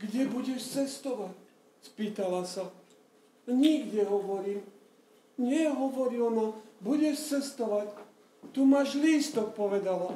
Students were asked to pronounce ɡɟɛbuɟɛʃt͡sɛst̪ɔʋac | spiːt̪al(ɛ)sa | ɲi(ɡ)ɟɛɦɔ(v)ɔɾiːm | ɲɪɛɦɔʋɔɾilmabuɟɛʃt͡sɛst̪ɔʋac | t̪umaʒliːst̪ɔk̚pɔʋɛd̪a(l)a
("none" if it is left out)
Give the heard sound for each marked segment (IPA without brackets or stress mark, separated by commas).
a, ɡ, ʋ, l